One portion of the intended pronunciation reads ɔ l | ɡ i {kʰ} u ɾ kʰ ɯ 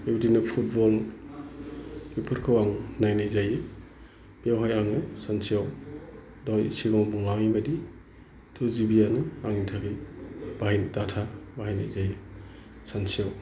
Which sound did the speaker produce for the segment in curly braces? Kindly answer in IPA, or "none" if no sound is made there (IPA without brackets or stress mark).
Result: pʰ